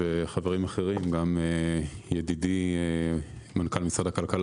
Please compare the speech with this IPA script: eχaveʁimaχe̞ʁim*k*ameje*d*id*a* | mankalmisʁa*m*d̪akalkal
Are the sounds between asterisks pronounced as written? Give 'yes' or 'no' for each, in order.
no, yes, no, no

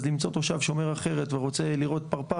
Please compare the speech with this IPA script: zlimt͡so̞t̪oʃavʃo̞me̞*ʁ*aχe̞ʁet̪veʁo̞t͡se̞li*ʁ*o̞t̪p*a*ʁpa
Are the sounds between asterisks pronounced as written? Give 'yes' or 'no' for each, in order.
yes, yes, yes

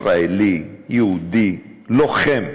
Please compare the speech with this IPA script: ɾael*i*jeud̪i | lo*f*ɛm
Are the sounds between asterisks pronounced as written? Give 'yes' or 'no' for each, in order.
yes, no

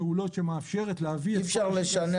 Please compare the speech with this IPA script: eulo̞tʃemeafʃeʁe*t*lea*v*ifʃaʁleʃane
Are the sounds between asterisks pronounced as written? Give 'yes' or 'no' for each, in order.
yes, yes

